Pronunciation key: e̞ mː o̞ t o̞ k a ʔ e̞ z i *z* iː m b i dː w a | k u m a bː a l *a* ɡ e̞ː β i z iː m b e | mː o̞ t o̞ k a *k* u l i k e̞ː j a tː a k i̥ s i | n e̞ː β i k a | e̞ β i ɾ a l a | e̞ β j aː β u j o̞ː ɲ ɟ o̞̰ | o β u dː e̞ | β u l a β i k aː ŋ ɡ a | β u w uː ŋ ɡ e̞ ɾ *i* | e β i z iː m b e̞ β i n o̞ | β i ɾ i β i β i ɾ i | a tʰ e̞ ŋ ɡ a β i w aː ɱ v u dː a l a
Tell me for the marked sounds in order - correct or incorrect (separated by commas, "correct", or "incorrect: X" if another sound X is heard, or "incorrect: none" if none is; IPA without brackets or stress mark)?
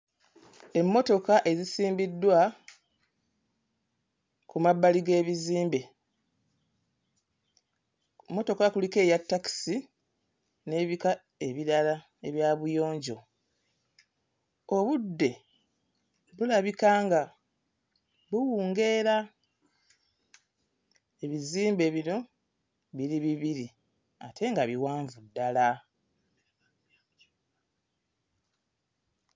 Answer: incorrect: s, incorrect: i, correct, incorrect: a